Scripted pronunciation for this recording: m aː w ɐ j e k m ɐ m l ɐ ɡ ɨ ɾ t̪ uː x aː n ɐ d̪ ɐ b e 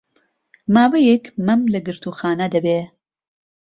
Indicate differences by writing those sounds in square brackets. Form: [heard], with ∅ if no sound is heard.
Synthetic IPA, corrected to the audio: m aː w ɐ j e k m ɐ m l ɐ ɡ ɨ ɾ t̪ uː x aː n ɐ d̪ ɐ b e

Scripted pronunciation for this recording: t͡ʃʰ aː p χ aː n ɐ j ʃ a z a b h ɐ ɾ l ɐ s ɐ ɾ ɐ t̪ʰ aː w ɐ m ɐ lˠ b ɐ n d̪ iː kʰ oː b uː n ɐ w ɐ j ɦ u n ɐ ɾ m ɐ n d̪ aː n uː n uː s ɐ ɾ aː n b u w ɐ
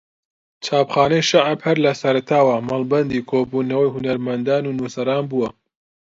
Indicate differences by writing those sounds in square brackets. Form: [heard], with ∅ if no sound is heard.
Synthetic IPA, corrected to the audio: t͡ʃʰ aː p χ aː n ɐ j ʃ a [ʕ] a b h ɐ ɾ l ɐ s ɐ ɾ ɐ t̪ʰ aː w ɐ m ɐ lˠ b ɐ n d̪ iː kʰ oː b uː n ɐ w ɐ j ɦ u n ɐ ɾ m ɐ n d̪ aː n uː n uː s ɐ ɾ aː n b u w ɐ

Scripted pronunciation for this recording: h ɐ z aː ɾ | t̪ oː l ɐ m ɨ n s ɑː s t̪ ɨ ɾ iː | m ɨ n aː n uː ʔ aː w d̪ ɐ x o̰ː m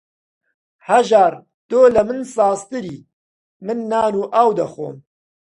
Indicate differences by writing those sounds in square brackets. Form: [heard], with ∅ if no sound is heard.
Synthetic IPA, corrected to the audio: h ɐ [ʒ] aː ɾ | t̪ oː l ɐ m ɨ n s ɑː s t̪ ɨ ɾ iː | m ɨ [nː] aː n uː ʔ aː w d̪ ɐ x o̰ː m

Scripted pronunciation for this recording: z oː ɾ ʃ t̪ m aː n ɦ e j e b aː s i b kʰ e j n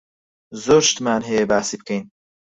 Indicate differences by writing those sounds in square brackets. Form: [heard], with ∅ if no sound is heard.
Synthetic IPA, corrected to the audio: z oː ɾ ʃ t̪ m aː n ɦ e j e b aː s i b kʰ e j n

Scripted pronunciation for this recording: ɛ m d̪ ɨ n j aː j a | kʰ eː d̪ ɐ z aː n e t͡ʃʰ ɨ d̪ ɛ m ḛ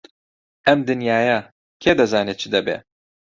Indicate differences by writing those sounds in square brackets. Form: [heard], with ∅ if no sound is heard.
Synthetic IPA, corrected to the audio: ɛ m d̪ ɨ n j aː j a | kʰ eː d̪ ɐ z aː n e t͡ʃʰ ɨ d̪ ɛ [b] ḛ

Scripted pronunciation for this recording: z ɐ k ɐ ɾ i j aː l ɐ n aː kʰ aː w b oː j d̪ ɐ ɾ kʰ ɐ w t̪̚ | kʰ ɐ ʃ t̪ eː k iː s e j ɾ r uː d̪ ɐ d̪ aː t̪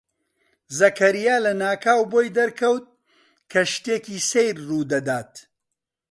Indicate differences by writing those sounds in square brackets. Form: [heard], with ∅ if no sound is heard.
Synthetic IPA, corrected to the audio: z ɐ k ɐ ɾ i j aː l ɐ n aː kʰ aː w b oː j d̪ ɐ ɾ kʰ ɐ w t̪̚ | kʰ ɐ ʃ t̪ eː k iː s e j ɾ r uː d̪ ɐ d̪ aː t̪

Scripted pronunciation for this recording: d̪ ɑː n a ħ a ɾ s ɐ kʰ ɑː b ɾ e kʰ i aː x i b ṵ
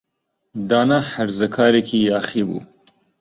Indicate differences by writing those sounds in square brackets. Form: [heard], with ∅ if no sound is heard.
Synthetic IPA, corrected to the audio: d̪ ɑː n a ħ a ɾ [z] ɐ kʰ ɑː [∅] ɾ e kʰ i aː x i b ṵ

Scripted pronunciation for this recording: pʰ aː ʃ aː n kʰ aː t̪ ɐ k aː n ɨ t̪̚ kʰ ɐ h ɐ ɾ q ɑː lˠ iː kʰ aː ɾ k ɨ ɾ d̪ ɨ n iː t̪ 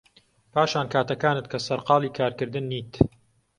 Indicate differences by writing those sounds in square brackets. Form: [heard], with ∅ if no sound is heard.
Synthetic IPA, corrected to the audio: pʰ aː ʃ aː n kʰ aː t̪ ɐ k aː n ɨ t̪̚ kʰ ɐ [s] ɐ ɾ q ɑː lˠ iː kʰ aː ɾ k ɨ ɾ d̪ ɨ [nː] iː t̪

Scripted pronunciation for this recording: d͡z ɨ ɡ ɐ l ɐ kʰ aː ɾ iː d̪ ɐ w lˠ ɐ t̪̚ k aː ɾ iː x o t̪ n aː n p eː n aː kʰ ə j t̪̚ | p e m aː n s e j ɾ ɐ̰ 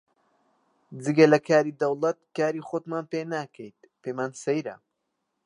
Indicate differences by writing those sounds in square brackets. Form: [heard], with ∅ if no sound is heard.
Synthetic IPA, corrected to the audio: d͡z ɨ ɡ ɐ l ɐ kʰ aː ɾ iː d̪ ɐ w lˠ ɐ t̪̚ k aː ɾ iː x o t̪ [m] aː n p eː n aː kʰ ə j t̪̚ | p e m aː n s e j ɾ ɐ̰

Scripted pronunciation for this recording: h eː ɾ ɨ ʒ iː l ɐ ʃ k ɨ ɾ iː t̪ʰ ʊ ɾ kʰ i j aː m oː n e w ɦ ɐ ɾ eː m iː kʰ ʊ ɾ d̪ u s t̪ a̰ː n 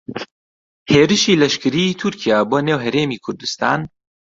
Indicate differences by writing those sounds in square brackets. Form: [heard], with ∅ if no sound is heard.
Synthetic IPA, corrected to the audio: h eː ɾ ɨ [ʃ] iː l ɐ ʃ k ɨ ɾ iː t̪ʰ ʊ ɾ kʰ i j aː [b] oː n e w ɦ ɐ ɾ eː m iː kʰ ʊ ɾ d̪ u s t̪ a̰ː n

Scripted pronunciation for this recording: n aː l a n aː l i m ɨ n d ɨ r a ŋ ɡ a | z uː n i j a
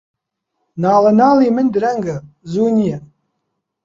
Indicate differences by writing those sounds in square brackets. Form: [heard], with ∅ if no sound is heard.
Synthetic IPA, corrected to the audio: n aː l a n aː l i m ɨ n d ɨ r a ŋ ɡ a | z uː n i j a

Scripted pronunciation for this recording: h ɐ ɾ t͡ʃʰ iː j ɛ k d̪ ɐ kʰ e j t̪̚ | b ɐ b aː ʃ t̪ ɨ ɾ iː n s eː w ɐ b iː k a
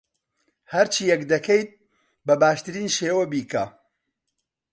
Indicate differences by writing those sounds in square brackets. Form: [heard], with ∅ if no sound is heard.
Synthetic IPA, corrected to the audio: h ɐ ɾ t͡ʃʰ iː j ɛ k d̪ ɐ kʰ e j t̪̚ | b ɐ b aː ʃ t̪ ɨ ɾ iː n [ʃ] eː w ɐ b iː k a

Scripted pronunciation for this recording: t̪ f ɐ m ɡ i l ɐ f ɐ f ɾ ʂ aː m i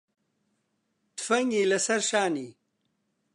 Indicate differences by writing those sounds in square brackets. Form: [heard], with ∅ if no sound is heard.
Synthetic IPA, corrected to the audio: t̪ f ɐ [ŋ] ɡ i l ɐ [s] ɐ [∅] ɾ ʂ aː [n] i

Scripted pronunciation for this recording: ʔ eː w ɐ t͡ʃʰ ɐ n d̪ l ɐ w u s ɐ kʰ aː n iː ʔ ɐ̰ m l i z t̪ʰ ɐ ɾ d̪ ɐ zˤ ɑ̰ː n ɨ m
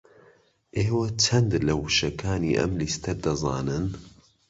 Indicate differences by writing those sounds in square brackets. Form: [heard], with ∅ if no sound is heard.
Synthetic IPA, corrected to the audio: ʔ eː w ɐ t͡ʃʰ ɐ n d̪ l ɐ w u [ʃ] ɐ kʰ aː n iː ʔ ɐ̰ m l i [s] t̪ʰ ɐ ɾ d̪ ɐ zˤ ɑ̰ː n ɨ [n]

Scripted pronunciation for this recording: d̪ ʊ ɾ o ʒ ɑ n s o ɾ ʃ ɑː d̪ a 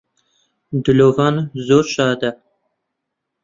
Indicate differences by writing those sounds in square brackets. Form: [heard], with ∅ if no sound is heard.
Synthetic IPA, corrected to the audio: d̪ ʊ [l] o [v] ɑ n [z] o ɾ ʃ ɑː d̪ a

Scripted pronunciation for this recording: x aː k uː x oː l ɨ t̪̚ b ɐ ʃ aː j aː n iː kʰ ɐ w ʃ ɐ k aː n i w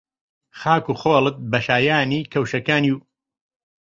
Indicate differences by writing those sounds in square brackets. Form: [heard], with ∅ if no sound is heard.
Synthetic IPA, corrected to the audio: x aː k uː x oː l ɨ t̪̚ b ɐ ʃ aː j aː n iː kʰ ɐ w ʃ ɐ k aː n i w

